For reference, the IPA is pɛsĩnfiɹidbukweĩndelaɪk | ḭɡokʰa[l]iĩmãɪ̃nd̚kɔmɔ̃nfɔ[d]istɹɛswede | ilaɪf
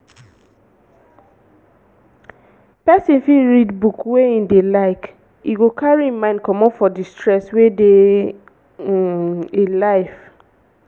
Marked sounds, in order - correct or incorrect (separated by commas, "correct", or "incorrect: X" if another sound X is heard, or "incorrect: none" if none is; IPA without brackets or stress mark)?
incorrect: ɹ, correct